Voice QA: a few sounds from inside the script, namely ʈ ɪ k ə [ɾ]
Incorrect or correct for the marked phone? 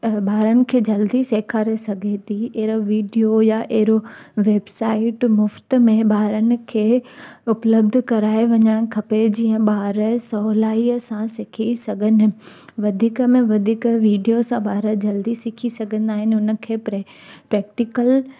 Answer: incorrect: l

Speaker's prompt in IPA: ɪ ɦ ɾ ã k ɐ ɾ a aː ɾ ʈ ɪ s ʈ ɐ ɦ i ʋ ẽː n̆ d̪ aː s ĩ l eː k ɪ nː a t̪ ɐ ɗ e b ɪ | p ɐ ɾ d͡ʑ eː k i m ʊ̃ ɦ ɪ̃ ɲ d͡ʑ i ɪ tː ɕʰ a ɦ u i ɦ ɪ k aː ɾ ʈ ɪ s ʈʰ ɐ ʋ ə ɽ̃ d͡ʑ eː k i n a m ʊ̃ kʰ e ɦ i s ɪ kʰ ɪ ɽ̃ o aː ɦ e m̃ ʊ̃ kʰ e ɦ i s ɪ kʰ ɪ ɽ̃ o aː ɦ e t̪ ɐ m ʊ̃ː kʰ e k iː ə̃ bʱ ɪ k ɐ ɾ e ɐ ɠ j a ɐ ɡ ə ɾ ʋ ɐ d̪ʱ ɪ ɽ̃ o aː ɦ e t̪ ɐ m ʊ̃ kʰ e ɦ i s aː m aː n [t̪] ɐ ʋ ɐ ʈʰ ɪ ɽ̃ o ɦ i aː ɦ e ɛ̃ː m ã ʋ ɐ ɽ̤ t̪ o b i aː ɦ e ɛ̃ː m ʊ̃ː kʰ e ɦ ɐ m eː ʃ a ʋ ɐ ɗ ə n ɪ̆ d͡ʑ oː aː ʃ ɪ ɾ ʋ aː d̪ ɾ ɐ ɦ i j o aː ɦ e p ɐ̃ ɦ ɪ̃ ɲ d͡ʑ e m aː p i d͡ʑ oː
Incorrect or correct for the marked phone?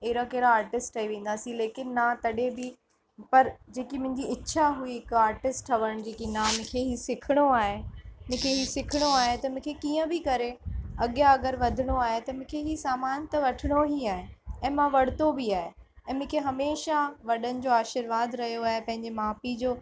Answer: correct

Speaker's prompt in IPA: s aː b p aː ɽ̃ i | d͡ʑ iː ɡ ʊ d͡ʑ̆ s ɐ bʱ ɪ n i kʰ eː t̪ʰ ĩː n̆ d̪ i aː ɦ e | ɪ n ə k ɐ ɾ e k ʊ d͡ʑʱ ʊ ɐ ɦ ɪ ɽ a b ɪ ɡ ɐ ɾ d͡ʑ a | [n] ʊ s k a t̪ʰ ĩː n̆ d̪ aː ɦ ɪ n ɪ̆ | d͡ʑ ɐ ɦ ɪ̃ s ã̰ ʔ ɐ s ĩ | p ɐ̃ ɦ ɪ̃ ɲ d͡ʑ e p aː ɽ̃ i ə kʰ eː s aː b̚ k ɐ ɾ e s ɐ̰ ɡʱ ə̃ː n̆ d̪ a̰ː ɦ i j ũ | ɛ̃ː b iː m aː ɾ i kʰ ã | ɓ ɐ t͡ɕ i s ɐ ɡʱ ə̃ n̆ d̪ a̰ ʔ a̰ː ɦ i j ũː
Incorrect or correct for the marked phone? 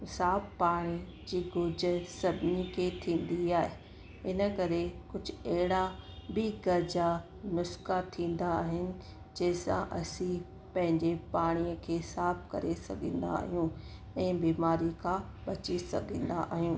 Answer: correct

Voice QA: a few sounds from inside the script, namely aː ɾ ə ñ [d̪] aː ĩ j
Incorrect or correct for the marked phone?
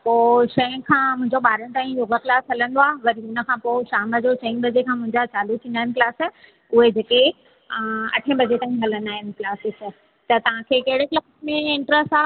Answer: incorrect: t̪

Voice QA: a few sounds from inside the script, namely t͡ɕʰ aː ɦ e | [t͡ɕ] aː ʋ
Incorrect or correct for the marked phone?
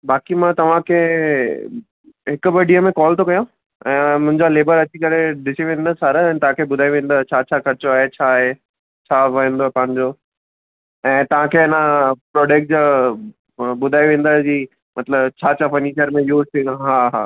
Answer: incorrect: t͡ɕʰ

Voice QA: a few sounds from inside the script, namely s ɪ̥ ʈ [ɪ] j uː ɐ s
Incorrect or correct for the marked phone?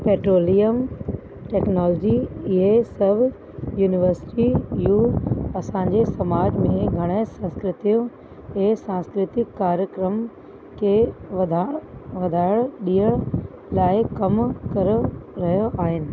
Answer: incorrect: i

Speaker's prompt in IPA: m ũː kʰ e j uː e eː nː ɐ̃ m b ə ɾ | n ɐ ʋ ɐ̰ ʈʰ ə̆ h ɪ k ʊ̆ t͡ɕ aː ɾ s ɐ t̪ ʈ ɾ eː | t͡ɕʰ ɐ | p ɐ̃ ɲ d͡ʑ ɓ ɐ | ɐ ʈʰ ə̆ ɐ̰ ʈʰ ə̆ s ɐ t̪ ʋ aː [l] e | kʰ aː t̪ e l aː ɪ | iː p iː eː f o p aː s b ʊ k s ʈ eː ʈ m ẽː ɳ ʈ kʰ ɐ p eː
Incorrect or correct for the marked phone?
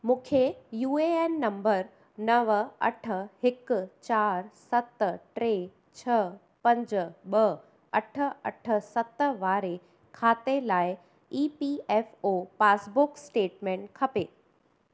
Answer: incorrect: ɾ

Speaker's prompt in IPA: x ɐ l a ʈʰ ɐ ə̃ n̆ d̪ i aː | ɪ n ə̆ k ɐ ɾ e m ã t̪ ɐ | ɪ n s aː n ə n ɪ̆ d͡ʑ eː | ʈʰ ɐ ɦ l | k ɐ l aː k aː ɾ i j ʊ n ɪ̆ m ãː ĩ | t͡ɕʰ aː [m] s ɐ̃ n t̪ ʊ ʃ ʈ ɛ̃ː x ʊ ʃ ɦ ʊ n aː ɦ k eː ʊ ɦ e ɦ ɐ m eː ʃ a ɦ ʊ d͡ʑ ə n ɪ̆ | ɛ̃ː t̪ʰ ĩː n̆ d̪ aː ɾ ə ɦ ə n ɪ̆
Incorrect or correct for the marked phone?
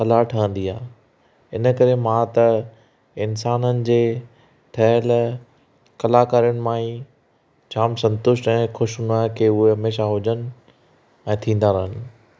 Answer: correct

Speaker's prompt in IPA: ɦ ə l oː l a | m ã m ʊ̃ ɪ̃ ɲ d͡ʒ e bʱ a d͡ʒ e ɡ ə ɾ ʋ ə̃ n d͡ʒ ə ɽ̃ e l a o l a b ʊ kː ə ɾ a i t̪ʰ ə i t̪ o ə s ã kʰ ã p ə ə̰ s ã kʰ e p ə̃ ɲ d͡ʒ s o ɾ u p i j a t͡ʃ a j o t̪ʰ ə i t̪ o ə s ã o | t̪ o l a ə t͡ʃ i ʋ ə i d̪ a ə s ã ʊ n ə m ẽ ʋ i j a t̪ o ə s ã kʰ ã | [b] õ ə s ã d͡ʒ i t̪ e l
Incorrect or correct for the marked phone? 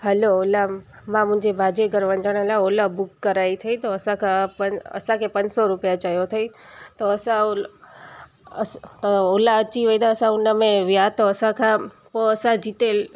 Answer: incorrect: p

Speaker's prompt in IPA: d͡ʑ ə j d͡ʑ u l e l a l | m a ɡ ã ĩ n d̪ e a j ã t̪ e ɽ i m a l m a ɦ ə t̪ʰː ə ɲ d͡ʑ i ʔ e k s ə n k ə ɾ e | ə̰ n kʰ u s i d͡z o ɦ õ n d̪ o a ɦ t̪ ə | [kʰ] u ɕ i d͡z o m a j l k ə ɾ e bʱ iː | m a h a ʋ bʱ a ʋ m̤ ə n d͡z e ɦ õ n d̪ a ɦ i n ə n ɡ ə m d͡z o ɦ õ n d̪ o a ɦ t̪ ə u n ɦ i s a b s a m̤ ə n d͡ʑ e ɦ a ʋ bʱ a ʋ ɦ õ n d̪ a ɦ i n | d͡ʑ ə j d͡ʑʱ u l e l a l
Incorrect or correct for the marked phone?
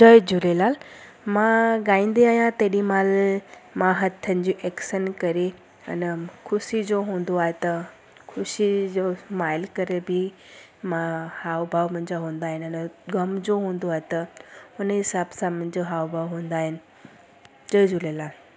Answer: correct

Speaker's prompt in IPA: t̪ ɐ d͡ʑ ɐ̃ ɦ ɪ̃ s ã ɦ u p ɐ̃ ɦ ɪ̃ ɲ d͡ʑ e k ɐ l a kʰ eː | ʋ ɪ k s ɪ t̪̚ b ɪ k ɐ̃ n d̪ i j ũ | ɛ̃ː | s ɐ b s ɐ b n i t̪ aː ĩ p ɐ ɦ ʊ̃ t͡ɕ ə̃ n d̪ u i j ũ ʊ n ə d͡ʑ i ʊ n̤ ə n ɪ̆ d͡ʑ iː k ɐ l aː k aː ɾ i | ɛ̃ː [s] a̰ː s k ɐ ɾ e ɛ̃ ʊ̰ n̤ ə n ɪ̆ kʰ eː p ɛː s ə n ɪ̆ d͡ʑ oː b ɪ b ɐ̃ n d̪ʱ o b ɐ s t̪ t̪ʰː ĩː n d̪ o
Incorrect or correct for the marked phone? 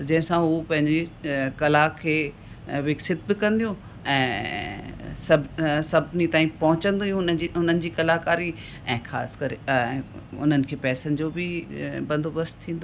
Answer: incorrect: x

